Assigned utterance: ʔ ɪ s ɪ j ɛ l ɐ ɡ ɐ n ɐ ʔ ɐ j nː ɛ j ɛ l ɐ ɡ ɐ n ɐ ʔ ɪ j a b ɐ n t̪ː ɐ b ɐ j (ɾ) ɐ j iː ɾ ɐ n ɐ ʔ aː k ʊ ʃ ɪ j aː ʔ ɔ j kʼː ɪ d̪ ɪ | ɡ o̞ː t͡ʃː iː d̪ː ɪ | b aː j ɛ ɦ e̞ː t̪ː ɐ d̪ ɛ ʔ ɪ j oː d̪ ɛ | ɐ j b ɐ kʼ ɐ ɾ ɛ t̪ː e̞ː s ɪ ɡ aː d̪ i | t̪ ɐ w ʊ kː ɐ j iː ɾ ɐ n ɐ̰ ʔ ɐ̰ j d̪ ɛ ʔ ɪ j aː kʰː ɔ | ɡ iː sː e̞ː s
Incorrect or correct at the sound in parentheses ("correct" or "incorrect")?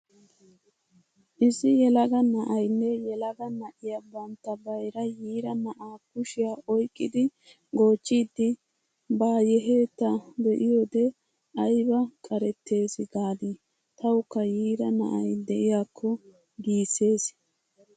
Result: correct